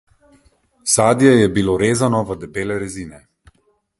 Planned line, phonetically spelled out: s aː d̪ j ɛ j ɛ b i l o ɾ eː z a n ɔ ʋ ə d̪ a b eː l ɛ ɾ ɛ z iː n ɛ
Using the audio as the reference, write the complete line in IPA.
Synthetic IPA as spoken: s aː d̪ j ɛ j ɛ b i l o ɾ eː z a n ɔ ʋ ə d̪ ɛ b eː l ɛ ɾ ɛ z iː n ɛ

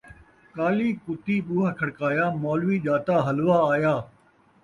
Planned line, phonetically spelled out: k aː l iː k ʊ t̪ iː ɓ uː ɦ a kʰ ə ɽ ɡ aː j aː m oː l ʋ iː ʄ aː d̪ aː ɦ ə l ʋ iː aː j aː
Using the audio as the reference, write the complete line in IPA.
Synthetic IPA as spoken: k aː l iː k ʊ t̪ iː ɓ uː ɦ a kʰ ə ɽ k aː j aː m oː l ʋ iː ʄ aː t̪ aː ɦ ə l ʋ aː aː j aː

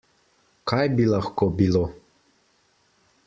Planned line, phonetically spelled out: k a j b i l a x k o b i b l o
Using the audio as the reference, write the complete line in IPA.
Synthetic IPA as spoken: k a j b i l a x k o b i l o

